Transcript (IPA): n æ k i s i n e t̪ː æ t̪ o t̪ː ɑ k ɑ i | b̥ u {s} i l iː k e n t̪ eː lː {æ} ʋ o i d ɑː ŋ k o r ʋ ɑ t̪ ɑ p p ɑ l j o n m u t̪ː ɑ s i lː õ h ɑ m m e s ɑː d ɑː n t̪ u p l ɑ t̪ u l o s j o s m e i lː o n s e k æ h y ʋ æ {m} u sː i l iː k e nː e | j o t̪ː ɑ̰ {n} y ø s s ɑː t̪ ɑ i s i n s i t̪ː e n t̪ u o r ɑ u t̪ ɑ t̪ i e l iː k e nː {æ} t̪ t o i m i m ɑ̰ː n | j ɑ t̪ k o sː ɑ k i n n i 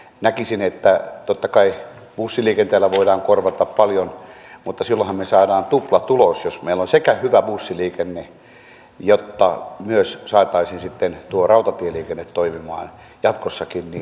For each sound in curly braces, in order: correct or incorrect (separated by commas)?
incorrect, correct, incorrect, incorrect, incorrect